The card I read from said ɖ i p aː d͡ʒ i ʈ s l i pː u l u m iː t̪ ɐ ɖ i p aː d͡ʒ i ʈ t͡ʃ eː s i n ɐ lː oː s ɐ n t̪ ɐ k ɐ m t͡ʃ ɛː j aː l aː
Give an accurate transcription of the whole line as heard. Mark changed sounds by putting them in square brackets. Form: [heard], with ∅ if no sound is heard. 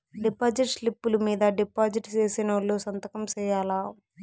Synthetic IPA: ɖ i p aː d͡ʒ i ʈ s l i pː u l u m iː [d̪] ɐ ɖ i p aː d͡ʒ i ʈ t͡ʃ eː s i n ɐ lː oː s ɐ n t̪ ɐ k ɐ m t͡ʃ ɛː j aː l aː